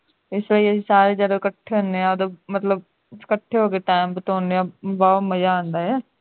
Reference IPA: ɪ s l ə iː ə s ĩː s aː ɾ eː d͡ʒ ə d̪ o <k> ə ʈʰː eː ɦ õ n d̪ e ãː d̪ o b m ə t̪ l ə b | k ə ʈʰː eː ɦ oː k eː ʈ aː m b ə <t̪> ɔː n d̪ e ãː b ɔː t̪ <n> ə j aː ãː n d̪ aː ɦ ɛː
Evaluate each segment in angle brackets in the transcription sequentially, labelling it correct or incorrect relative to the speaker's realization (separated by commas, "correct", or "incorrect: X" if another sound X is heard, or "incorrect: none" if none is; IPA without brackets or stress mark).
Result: correct, correct, incorrect: m